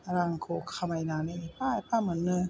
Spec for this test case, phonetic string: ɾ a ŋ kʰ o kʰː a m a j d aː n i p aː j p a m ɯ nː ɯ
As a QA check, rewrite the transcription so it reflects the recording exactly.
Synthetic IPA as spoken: ɾ a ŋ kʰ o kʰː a m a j n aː n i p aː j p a m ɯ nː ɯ